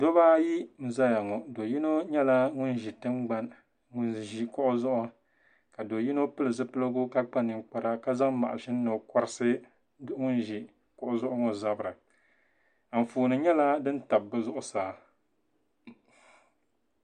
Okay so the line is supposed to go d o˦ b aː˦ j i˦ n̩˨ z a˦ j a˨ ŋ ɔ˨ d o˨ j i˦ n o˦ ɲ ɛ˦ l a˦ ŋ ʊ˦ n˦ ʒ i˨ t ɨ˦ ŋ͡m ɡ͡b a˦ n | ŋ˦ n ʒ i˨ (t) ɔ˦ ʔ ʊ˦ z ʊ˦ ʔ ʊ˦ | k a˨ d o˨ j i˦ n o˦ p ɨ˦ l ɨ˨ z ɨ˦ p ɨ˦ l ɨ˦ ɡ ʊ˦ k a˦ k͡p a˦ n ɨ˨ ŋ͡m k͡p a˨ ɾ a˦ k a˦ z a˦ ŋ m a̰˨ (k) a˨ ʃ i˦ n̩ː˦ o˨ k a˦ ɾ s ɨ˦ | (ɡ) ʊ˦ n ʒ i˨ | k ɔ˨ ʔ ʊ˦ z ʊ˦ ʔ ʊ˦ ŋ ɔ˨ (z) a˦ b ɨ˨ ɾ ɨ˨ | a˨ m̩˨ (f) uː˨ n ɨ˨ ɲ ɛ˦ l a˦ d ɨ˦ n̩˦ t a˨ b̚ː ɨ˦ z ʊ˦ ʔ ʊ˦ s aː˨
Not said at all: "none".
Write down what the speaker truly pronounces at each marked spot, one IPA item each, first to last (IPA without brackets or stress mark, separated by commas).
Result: k, ʔ, ŋ, z, f